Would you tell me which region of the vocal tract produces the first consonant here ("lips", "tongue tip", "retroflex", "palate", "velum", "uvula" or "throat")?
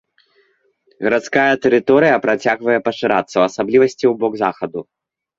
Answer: velum